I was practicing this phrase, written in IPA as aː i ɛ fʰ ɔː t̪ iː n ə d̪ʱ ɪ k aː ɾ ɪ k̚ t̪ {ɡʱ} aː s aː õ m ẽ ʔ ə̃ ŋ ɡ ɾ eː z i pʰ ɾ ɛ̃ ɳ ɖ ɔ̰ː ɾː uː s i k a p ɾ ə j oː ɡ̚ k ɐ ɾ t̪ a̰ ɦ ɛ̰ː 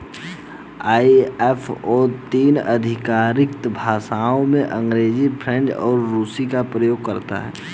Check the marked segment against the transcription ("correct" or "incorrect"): incorrect